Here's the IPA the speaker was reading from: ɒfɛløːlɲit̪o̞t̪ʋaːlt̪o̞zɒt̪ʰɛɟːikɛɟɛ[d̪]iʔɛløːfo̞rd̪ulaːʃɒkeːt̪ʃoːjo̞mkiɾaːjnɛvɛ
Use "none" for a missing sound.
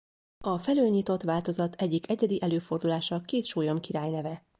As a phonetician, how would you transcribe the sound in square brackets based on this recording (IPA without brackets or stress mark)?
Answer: d̪